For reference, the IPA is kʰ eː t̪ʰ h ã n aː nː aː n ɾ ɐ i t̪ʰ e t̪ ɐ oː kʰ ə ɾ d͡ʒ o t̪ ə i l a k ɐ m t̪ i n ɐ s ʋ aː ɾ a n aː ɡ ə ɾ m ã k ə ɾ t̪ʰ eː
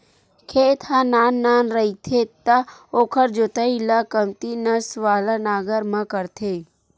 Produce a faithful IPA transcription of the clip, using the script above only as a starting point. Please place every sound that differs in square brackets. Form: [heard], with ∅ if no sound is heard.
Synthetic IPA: kʰ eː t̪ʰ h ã n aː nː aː n ɾ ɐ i t̪ʰ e t̪ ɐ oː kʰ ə ɾ d͡ʒ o t̪ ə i l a k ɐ m t̪ i n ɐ s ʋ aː [l] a n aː ɡ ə ɾ m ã k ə ɾ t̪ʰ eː